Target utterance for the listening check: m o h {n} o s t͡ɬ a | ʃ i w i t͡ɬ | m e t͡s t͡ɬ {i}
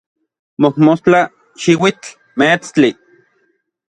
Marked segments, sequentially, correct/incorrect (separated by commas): incorrect, correct